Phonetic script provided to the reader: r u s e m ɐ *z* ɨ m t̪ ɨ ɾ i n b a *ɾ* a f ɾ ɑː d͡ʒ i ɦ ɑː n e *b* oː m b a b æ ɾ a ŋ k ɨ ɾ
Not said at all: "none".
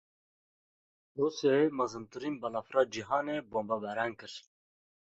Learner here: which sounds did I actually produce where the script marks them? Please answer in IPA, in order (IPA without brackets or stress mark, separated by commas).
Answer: z, l, b